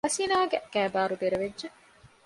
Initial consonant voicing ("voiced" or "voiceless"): voiceless